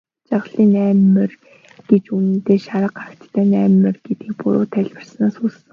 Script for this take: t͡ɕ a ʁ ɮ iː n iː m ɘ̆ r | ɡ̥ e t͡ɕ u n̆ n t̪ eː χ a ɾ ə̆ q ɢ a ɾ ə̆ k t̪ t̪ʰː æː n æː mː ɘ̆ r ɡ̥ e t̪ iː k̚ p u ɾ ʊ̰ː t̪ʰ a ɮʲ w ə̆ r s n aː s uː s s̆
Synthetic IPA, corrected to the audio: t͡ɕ a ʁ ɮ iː n æː m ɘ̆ r | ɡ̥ e t͡ɕ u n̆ n t̪ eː ʃ a ɾ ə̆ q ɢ a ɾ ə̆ k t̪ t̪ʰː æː n æː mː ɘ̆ r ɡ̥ e t̪ iː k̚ p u ɾ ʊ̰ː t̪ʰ æ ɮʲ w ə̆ r s n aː s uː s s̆